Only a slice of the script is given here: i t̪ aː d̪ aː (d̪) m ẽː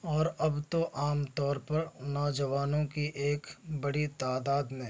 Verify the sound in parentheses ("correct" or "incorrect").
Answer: correct